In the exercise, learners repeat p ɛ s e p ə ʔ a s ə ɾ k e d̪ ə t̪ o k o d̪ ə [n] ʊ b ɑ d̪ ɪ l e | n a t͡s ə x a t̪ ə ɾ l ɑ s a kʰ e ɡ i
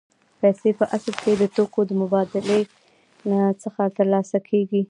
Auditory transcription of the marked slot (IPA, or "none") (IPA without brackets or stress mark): m